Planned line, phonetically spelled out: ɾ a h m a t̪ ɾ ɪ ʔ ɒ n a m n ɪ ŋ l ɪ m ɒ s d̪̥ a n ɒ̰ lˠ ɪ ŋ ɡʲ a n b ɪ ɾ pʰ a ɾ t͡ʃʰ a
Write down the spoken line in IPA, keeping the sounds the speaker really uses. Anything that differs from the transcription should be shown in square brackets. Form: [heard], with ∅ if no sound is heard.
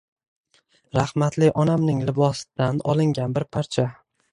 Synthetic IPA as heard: ɾ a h m a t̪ [l] ɪ ʔ ɒ n a m n ɪ ŋ l ɪ [b] ɒ s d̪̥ a n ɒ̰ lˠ ɪ ŋ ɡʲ a n b ɪ ɾ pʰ a ɾ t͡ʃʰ a